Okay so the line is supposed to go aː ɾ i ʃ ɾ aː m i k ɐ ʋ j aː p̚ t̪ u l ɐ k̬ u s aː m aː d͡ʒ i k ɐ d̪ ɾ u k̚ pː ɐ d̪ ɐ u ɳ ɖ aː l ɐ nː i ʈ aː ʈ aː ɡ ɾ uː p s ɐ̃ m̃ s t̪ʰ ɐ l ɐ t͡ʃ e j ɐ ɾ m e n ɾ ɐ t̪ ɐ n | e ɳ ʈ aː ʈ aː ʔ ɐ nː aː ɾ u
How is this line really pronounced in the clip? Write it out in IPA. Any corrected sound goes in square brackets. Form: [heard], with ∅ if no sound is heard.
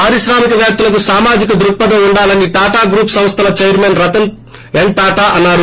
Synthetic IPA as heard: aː ɾ i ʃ ɾ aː m i k ɐ ʋ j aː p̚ t̪ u l ɐ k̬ u s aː m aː d͡ʒ i k ɐ d̪ ɾ u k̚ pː ɐ d̪ ɐ u ɳ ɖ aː l ɐ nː i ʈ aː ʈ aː ɡ ɾ uː p s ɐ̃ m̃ s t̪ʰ ɐ l ɐ t͡ʃ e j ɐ ɾ m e n ɾ ɐ t̪ ɐ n | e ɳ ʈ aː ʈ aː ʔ ɐ nː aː ɾ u